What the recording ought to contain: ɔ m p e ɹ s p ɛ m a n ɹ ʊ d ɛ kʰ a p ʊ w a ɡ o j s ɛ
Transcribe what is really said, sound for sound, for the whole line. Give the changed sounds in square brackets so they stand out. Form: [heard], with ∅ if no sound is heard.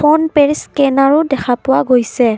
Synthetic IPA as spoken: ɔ [n] p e ɹ s [k] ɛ [n] a [∅] ɹ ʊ d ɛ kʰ a p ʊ w a ɡ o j s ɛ